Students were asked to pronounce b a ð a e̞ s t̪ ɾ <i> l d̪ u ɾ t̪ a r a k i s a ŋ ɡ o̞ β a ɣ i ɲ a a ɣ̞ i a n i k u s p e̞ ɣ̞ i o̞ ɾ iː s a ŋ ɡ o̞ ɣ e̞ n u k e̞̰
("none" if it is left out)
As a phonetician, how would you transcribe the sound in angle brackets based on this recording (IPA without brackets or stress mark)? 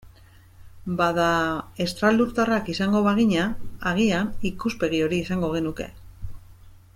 a